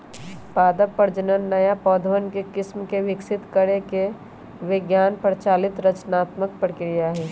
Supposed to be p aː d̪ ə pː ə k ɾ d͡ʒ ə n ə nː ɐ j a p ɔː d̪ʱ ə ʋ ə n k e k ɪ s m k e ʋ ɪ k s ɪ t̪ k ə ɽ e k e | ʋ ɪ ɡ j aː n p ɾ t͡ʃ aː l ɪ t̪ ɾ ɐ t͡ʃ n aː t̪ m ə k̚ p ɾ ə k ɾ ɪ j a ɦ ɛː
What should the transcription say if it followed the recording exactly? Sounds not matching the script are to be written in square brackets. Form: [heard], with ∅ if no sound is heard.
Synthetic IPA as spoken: p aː d̪ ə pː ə [∅] ɾ d͡ʒ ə n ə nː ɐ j a p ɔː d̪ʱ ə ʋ ə n k e k ɪ s m k e ʋ ɪ k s ɪ t̪ k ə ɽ e k e | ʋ ɪ ɡ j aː n p ɾ t͡ʃ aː l ɪ t̪ ɾ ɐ t͡ʃ n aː t̪ m ə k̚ p ɾ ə k ɾ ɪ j a ɦ ɛː